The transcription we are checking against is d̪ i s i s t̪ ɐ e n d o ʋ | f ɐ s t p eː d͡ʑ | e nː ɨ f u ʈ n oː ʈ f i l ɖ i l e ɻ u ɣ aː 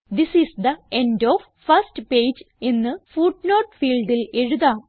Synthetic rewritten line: d̪ i s i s d̪ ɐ e n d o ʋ | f ɐ s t p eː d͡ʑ | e nː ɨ f u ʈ n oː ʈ f iː l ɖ i l e ɻ u ð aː